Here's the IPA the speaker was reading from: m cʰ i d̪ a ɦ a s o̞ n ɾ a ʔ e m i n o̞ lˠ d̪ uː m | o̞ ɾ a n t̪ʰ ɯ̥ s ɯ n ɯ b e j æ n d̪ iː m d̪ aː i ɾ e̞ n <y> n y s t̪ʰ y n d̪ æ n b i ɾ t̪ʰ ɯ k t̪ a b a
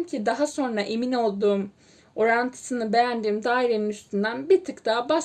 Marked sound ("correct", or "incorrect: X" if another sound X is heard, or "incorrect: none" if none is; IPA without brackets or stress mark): incorrect: i